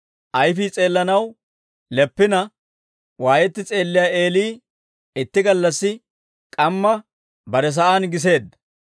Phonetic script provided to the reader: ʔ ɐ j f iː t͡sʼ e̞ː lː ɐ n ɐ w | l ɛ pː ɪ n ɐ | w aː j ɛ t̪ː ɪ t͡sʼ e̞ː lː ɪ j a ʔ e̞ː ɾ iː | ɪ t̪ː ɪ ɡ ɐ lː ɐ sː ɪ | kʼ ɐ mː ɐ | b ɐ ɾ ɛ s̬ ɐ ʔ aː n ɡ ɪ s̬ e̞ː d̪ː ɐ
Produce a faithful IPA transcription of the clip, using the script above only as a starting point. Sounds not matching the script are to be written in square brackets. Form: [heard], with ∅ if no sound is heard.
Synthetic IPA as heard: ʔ ɐ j f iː t͡sʼ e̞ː lː ɐ n ɐ w | l ɛ pː ɪ n ɐ | w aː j ɛ t̪ː ɪ t͡sʼ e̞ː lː ɪ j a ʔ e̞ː [l] iː | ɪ t̪ː ɪ ɡ ɐ lː ɐ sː ɪ | kʼ ɐ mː ɐ | b ɐ ɾ ɛ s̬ ɐ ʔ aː n ɡ ɪ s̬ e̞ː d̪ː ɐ